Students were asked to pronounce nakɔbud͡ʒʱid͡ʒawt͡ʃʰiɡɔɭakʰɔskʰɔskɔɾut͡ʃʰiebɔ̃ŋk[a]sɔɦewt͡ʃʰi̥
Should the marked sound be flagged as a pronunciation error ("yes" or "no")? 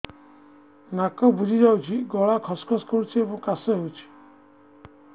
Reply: no